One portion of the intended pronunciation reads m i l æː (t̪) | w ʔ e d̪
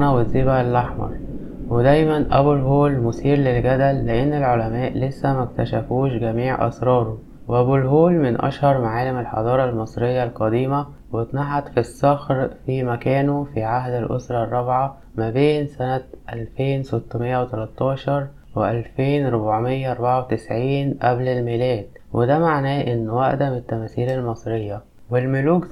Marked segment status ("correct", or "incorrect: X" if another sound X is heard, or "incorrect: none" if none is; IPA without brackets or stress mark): incorrect: d̪